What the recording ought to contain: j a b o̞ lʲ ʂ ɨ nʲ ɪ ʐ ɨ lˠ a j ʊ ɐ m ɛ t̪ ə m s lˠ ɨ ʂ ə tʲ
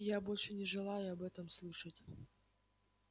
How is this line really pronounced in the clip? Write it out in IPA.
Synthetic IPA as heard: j a b o̞ lʲ ʂ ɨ nʲ ɪ ʐ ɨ lˠ a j ʊ ɐ b ɛ t̪ ə m s lˠ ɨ ʂ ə tʲ